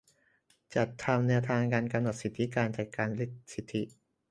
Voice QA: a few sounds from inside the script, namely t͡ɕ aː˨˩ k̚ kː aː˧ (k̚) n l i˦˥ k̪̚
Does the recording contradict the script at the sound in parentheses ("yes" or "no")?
yes